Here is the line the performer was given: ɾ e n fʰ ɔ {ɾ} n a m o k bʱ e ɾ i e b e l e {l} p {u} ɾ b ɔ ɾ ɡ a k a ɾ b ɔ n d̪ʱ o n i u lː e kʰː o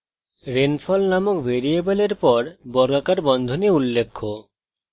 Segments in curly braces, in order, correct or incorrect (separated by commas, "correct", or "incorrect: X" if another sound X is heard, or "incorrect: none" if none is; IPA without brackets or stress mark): incorrect: l, incorrect: ɾ, incorrect: ɔ